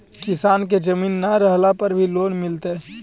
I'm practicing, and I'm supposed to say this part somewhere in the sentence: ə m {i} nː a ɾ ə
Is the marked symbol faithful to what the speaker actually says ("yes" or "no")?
no